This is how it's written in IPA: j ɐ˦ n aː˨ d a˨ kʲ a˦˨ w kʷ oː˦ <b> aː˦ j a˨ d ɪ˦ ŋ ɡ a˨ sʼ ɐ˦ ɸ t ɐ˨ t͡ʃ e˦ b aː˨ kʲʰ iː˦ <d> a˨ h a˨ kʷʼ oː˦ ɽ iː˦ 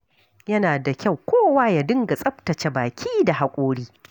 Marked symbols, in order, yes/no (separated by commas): no, yes